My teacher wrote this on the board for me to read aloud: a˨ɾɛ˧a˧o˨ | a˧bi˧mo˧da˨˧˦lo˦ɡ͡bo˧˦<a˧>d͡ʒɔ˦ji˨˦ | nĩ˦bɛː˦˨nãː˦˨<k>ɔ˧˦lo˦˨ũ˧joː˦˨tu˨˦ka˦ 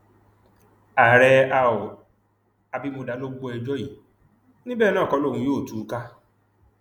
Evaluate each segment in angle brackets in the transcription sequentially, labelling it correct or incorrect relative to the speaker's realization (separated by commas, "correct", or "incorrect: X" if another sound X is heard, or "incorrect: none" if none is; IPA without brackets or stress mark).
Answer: incorrect: ɛ˧, correct